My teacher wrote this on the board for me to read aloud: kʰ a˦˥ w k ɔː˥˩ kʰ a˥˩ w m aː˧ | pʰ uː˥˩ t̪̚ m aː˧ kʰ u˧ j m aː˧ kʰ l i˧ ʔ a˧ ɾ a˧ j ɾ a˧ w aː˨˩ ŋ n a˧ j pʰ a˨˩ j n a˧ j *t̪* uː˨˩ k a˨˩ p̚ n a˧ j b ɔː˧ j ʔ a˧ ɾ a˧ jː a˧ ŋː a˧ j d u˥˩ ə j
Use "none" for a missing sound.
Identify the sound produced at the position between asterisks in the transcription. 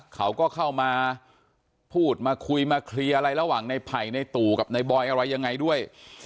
t̪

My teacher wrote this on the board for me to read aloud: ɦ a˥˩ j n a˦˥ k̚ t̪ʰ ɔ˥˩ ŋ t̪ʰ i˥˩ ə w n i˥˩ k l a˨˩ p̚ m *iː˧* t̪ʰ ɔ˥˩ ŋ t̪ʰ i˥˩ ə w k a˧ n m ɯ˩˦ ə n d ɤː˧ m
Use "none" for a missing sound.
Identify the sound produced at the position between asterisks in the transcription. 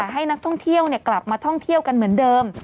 aː˧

